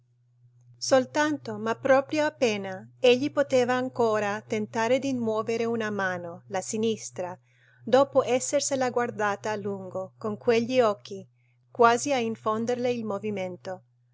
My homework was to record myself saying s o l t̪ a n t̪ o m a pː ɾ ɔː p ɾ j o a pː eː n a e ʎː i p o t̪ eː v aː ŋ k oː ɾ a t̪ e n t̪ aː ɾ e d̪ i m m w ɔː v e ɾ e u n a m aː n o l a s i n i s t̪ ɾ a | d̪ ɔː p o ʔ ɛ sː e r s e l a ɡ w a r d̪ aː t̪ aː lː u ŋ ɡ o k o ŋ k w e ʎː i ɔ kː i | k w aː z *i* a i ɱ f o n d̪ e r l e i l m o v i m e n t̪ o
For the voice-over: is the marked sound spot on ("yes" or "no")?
yes